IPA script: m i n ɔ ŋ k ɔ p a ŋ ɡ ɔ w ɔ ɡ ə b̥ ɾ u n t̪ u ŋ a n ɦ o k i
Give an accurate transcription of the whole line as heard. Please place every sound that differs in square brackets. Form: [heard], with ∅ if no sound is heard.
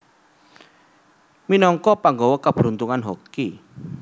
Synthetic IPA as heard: m i n ɔ ŋ k ɔ p a ŋ ɡ ɔ w ɔ [k] ə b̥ ɾ u n t̪ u ŋ a n ɦ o k i